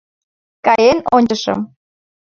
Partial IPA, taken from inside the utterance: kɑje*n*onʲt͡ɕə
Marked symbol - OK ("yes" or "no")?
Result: yes